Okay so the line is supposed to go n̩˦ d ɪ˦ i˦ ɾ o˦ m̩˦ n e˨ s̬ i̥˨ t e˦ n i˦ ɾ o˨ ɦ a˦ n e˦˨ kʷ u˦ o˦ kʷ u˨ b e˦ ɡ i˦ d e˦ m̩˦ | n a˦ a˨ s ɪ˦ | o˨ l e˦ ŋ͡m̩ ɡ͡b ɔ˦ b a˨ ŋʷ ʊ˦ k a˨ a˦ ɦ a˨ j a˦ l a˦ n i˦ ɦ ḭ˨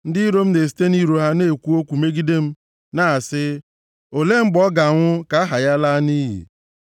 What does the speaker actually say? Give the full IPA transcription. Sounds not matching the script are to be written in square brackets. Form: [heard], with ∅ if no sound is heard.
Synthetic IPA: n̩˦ d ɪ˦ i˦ ɾ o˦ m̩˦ n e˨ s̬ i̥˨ t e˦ n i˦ ɾ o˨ ɦ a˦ n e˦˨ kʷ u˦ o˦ kʷ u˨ [m] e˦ ɡ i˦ d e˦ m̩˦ | n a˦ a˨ s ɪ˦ | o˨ l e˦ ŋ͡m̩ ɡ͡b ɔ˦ [ɡ] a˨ ŋʷ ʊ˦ k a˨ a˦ ɦ a˨ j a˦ l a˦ n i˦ ɦ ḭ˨

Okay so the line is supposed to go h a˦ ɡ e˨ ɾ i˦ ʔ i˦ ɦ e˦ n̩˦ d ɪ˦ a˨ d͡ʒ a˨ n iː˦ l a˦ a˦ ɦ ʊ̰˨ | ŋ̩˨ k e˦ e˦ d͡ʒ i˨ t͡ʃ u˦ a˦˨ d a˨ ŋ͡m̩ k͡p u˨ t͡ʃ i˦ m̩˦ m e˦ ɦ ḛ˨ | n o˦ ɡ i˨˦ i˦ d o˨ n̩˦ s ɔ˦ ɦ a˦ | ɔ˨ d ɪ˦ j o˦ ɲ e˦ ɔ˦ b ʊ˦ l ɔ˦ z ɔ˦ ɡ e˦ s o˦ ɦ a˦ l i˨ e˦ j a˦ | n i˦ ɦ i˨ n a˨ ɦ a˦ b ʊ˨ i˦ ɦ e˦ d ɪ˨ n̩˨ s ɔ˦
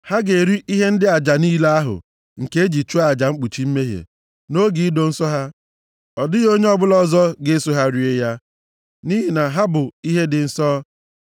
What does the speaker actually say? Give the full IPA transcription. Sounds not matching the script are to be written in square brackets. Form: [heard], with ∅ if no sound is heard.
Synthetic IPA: h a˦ ɡ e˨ ɾ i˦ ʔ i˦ ɦ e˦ n̩˦ d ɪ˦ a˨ d͡ʒ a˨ n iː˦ l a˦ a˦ ɦ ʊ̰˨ | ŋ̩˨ k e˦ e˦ d͡ʒ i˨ t͡ʃ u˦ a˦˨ [d͡ʒ] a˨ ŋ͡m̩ k͡p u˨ t͡ʃ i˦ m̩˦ m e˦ ɦ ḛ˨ | n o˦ ɡ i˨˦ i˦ d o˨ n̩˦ s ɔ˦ ɦ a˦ | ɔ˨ d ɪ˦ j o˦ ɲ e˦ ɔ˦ b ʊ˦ l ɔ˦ z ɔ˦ ɡ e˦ s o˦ ɦ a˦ [ɾ] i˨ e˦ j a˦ | n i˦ ɦ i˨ n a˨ ɦ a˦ b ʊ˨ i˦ ɦ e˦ d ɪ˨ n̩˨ s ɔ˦

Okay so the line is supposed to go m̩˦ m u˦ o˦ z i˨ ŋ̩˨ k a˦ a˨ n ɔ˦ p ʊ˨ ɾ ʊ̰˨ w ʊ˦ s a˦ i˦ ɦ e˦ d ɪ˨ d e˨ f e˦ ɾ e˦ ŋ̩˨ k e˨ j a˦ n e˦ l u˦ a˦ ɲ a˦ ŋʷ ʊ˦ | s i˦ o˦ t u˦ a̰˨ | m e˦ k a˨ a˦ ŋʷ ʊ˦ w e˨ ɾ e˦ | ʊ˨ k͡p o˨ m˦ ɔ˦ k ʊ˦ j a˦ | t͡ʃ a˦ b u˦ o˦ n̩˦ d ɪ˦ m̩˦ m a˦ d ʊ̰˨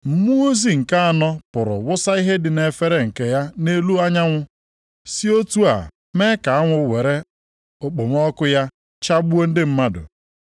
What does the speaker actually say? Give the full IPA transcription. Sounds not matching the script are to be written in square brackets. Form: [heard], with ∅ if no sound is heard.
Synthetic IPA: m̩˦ m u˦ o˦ z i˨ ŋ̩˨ k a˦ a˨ n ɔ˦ p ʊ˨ ɾ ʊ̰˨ w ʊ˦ s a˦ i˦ ɦ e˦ d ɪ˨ [n] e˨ f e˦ ɾ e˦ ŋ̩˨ k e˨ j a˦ n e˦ l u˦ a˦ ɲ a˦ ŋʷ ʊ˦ | s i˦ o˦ t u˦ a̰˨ | m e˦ k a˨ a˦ ŋʷ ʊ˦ w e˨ ɾ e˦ | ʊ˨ k͡p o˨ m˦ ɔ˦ k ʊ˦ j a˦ | t͡ʃ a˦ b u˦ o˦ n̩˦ d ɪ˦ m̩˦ m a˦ d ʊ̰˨

